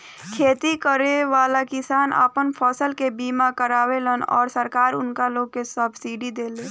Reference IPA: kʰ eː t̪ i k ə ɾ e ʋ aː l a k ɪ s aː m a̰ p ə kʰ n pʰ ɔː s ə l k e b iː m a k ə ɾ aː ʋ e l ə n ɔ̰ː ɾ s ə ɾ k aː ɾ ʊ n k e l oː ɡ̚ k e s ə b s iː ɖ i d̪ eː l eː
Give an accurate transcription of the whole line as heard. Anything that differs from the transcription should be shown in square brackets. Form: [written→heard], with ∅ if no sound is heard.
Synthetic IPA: kʰ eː t̪ i k ə ɾ e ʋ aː l a k ɪ s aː [m→n] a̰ p ə [kʰ→∅] n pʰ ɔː s ə l k e b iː m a k ə ɾ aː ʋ e l ə n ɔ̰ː ɾ s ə ɾ k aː ɾ ʊ n k [e→a] l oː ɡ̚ k e s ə b s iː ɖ i d̪ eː l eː